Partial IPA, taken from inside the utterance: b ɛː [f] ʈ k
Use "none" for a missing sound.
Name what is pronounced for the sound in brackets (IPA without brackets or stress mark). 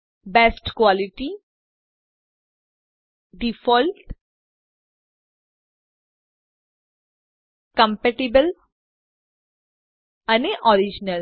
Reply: s